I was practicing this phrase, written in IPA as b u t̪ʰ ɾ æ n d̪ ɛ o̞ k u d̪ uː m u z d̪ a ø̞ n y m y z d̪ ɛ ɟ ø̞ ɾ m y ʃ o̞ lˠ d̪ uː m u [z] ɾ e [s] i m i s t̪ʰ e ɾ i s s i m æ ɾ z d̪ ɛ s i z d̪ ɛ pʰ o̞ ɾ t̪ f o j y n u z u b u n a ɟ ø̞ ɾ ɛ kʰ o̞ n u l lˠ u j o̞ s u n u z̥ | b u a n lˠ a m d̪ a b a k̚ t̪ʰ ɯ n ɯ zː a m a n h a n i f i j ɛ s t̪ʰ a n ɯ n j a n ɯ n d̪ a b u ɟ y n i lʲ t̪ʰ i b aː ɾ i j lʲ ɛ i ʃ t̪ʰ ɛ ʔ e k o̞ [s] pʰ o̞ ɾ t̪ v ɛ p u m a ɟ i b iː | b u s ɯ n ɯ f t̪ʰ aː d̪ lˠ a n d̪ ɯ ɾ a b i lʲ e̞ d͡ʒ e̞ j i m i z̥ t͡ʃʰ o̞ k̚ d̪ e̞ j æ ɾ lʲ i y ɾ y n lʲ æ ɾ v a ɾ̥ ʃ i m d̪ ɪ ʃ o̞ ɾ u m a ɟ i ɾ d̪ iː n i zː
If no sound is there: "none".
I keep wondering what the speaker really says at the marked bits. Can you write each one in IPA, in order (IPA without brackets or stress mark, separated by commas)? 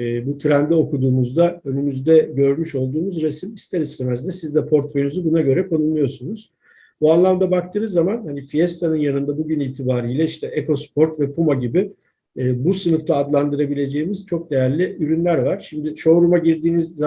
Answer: z, s, s